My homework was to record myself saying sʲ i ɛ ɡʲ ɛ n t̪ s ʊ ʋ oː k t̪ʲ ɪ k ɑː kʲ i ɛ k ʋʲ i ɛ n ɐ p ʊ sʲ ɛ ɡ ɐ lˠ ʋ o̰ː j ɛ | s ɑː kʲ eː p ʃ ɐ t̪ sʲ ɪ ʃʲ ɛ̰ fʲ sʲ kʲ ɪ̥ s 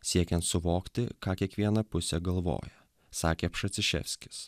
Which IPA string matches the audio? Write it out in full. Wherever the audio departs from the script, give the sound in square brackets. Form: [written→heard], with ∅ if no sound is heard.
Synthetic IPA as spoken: sʲ i ɛ [ɡʲ→kʲ] ɛ n t̪ s ʊ ʋ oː k t̪ʲ ɪ k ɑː kʲ i ɛ k ʋʲ i ɛ n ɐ p ʊ sʲ ɛ ɡ ɐ lˠ ʋ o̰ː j ɛ | s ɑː kʲ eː p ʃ ɐ t̪ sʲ ɪ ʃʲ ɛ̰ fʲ sʲ kʲ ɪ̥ s